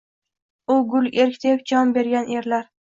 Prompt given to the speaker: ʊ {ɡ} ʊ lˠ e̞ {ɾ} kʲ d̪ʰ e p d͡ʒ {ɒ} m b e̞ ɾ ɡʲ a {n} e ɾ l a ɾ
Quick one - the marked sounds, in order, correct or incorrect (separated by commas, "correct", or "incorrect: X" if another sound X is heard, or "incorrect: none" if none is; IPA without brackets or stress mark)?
correct, correct, correct, correct